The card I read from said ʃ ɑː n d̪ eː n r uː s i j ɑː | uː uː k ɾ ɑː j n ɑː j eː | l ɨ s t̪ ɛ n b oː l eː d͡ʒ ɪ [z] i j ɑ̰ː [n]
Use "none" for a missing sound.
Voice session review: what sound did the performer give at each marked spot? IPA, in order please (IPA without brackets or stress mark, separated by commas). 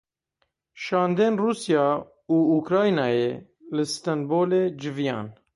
v, n